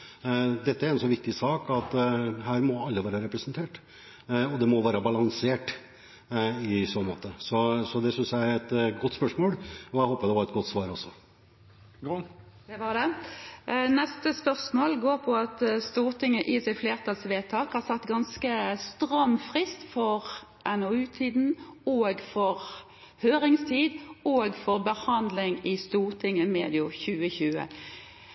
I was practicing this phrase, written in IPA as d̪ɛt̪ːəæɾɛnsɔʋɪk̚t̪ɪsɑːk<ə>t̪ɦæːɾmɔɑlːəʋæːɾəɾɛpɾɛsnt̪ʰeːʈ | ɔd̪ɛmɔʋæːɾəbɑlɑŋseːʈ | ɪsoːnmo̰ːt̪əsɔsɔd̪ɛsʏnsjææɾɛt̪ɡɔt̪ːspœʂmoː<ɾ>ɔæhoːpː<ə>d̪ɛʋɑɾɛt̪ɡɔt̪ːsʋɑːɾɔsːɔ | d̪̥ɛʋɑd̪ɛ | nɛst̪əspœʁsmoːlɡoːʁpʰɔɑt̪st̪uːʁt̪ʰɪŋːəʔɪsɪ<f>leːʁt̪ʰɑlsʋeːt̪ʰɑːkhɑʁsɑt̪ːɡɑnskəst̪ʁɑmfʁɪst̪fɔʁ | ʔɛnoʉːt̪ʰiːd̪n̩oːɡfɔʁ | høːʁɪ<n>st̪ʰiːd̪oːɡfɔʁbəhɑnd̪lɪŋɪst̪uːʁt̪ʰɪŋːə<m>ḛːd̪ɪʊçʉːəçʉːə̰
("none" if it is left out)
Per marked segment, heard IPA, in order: ɑ, l, ə, f, ŋ, m

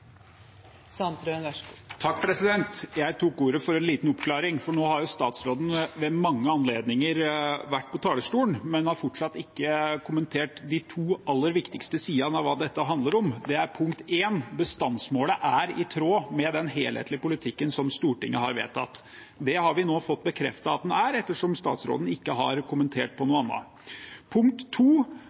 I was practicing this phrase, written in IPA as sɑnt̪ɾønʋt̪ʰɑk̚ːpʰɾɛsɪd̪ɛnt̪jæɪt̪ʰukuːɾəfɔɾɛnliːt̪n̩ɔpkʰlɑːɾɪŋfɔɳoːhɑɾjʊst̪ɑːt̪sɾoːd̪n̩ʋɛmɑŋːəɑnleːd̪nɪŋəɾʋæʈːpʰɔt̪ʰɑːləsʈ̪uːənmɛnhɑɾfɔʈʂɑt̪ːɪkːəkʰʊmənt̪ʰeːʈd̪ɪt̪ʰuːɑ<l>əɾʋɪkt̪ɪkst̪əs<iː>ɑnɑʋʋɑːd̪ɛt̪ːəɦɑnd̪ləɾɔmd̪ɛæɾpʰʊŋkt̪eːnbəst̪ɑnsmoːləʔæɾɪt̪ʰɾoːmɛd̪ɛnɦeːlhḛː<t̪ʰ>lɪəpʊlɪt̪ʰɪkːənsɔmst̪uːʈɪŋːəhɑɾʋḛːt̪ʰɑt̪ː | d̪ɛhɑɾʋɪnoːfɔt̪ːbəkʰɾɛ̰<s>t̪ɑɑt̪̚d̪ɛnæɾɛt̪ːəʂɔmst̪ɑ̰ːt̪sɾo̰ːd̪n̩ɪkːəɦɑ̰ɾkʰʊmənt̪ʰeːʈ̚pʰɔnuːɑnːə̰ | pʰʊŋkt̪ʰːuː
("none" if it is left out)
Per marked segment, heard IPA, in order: lː, iː, t̪, f

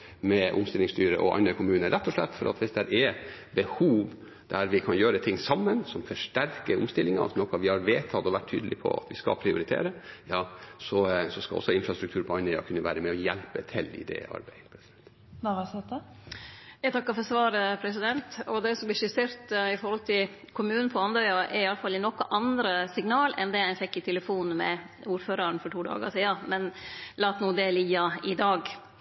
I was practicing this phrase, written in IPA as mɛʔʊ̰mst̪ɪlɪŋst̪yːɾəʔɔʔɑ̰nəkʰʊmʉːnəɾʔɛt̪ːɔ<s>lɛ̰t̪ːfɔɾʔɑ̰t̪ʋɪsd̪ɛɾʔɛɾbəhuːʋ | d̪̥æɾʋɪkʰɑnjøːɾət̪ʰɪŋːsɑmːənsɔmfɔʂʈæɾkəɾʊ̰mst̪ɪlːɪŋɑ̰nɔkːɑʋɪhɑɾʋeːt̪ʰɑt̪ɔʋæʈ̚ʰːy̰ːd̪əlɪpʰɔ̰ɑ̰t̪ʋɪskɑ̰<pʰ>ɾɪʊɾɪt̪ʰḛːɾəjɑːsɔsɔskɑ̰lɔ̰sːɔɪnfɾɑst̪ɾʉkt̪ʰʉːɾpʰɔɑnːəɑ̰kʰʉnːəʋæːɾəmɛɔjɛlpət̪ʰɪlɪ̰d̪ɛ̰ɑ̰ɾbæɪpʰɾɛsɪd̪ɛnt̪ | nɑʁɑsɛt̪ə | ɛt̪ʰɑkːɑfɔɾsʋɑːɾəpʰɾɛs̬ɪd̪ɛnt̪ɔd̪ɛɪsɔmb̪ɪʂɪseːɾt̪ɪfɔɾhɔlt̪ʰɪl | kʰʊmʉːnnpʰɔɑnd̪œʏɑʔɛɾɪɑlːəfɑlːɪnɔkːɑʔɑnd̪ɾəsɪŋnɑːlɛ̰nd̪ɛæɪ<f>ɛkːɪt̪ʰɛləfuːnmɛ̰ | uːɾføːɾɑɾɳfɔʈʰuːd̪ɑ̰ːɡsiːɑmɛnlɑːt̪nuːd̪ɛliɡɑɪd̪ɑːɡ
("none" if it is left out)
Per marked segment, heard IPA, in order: ʂ, pʰ, f

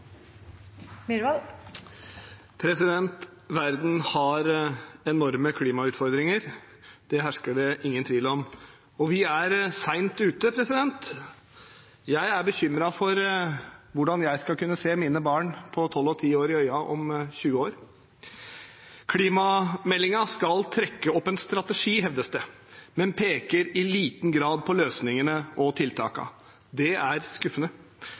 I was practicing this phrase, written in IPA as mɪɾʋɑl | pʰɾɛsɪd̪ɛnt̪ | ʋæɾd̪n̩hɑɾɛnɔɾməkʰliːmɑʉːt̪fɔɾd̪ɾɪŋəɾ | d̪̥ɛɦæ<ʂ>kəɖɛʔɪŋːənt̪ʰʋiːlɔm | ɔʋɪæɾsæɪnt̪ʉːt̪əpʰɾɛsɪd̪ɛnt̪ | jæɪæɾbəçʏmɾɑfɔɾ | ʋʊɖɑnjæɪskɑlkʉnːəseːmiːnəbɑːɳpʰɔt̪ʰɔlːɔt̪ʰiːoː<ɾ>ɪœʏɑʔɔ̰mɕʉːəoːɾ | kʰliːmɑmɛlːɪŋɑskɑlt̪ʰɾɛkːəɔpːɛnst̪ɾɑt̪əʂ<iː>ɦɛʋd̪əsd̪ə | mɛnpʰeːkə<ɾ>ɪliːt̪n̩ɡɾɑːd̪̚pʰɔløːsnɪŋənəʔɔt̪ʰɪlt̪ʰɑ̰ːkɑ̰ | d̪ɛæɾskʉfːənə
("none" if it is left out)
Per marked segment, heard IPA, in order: ʂ, ɾ, iː, ɾ

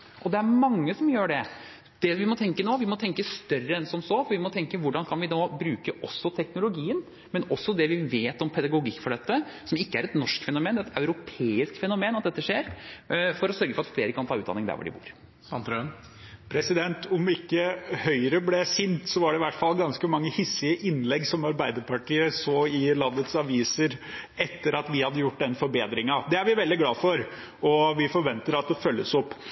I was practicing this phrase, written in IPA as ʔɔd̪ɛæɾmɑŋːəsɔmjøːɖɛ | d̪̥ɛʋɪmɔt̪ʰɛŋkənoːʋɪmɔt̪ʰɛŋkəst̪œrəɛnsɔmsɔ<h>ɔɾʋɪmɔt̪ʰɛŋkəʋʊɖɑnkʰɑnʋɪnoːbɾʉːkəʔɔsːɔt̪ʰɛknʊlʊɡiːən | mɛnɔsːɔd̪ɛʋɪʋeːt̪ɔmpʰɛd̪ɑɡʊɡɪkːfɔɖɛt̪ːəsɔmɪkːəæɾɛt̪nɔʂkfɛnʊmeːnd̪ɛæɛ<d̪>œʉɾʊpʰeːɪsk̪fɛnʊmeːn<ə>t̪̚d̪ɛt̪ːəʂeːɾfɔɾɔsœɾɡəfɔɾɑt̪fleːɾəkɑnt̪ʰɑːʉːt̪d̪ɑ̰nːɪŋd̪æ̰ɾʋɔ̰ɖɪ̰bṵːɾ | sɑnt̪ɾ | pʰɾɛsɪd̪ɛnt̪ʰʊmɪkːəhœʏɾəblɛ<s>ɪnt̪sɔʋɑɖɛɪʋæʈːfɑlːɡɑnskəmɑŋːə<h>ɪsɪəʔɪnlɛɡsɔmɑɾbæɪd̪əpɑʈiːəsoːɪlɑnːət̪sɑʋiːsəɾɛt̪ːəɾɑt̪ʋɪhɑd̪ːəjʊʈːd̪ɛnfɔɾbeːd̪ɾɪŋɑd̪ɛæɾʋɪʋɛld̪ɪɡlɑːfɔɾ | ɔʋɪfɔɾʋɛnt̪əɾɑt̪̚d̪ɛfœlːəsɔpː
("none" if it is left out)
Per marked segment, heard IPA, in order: f, t̪, ɑ, s, h

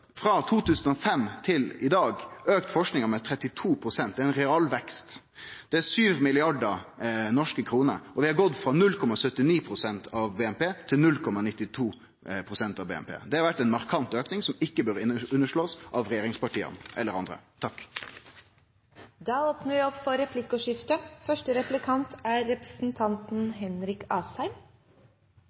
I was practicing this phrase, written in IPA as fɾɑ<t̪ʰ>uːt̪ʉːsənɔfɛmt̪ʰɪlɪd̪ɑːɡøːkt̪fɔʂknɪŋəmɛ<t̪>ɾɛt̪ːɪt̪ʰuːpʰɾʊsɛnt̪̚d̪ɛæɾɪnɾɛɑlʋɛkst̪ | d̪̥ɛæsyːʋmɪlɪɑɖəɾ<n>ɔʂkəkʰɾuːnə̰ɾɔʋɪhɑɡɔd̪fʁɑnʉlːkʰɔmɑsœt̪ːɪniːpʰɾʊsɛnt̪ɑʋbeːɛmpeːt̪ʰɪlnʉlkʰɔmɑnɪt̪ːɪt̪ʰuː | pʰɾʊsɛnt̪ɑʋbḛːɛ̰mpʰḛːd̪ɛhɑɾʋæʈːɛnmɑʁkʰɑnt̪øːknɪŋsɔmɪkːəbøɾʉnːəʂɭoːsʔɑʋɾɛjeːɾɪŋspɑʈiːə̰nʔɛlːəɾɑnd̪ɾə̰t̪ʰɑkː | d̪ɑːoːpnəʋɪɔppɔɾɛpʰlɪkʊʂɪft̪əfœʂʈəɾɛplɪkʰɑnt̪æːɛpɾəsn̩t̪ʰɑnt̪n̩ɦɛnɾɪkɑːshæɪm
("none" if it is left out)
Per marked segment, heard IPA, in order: t̪ʰ, t̪ʰ, n

